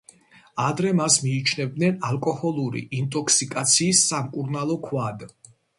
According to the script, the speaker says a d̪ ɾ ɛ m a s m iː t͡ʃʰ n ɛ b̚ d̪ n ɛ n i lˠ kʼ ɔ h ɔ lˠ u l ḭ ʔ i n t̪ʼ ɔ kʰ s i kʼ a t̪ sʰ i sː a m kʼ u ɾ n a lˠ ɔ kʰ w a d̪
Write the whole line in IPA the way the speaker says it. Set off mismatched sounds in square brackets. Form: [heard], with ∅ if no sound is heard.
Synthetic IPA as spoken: a d̪ ɾ ɛ m a s m iː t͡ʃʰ n ɛ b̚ d̪ n ɛ n [a] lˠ kʼ ɔ h ɔ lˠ u [ɾ] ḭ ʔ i n t̪ʼ ɔ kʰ s i kʼ a t̪ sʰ [iː] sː a m kʼ u ɾ n a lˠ ɔ kʰ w a d̪